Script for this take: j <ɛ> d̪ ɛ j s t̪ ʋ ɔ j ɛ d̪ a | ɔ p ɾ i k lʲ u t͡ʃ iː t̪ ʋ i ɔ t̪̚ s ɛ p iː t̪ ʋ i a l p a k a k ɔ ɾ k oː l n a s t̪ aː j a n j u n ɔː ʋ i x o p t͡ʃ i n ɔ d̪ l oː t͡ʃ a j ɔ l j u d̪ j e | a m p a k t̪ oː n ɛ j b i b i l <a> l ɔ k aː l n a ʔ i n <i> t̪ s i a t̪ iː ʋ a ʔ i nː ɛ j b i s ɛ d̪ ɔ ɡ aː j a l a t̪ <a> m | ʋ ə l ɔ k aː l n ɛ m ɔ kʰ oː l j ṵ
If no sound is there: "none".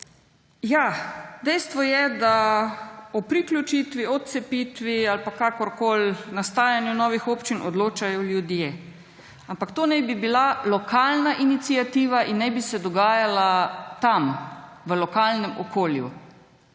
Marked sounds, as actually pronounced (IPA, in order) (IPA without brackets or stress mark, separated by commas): a, a, i, a